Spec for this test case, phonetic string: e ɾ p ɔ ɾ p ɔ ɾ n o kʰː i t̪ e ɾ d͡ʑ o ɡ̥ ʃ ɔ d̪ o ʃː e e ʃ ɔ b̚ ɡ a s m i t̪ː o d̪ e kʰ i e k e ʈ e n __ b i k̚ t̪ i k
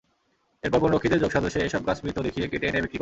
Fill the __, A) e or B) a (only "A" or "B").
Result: A